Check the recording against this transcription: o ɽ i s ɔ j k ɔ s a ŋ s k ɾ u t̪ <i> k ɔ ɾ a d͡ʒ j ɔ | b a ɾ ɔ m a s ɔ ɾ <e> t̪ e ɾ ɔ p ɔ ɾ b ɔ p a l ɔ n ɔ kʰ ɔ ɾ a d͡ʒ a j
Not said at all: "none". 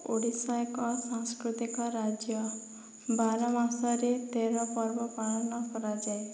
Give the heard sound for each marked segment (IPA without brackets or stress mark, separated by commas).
i, e